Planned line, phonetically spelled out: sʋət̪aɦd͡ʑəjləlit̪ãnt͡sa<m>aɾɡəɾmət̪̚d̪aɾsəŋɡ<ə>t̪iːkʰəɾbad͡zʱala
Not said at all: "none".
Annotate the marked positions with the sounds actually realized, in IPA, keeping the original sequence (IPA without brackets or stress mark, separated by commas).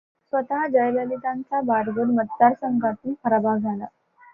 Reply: b, a